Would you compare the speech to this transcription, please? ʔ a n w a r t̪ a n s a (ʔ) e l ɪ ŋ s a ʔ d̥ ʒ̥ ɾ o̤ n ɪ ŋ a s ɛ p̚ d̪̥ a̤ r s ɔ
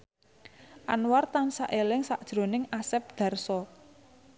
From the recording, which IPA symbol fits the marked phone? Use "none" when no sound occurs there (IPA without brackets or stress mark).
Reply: ʔ